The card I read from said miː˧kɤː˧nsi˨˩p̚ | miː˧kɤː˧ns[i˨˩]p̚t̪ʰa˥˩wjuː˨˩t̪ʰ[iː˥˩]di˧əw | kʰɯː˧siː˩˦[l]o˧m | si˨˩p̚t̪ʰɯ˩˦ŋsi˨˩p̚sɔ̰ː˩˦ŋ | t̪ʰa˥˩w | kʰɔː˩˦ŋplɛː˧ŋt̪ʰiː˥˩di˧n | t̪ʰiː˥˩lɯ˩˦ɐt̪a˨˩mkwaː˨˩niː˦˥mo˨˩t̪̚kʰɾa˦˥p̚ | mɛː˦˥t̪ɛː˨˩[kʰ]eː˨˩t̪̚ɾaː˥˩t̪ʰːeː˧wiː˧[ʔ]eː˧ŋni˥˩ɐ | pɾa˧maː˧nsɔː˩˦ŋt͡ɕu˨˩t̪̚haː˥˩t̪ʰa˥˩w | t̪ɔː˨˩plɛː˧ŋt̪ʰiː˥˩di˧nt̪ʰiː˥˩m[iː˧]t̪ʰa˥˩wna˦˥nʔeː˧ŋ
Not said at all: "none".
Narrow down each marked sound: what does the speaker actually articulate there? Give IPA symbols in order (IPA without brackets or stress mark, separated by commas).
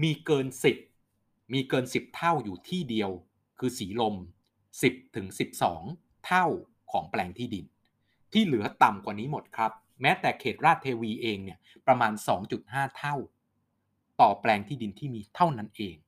i˨˩, iː˥˩, l, kʰ, ʔ, iː˧